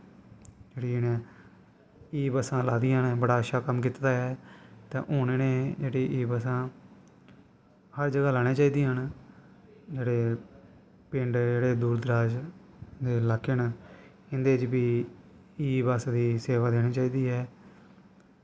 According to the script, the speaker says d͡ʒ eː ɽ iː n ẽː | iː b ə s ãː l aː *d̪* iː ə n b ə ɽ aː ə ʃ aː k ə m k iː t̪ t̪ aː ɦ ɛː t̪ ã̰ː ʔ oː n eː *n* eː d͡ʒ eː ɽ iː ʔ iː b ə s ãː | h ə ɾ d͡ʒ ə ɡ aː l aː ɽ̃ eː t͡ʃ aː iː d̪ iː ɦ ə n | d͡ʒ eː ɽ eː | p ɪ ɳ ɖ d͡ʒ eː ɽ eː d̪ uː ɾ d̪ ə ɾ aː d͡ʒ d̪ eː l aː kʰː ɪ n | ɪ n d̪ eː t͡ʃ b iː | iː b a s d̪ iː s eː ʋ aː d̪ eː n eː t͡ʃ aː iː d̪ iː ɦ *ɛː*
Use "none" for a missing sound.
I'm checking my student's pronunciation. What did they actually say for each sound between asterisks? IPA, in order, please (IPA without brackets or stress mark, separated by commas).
d̪, n, ɛː